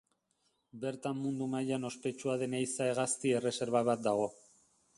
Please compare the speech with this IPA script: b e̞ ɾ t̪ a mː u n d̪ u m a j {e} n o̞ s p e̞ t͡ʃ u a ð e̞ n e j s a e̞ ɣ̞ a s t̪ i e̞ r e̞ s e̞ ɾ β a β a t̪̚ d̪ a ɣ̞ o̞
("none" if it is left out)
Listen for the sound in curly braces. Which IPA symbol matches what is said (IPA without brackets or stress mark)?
a